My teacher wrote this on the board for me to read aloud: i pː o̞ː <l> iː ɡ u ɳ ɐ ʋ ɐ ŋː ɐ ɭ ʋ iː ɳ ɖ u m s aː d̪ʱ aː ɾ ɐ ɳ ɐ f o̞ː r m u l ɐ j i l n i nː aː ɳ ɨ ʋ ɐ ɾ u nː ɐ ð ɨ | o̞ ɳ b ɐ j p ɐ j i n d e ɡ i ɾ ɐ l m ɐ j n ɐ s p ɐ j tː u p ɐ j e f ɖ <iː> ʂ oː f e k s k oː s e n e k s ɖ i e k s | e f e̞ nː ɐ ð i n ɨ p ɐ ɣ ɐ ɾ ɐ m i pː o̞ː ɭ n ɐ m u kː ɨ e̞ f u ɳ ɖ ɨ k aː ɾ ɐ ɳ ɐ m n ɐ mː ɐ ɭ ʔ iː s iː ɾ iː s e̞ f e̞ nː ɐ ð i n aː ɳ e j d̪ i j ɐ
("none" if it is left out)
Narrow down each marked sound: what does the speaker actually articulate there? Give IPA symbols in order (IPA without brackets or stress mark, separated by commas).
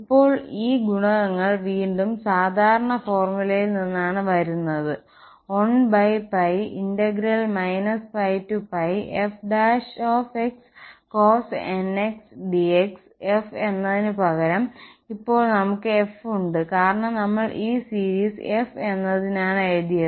ɭ, aː